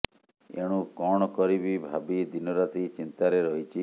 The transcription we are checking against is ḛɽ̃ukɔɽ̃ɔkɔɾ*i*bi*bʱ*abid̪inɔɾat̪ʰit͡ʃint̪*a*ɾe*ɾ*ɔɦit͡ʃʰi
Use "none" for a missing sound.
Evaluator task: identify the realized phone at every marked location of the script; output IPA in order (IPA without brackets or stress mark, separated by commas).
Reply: i, bʱ, a, ɾ